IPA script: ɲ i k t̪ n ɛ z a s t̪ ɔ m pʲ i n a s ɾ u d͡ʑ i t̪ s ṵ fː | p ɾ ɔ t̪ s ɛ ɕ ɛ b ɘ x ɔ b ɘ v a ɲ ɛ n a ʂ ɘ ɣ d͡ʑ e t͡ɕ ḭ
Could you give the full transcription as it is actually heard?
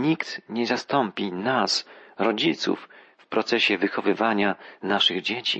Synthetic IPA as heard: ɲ i k t̪ ɲ ɛ z a s t̪ ɔ m pʲ i n a s ɾ ɔ d͡ʑ i t̪ s ṵ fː | p ɾ ɔ t̪ s ɛ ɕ ɛ v ɘ x ɔ v ɘ v a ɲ a n a ʂ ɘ ɣ d͡ʑ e t͡ɕ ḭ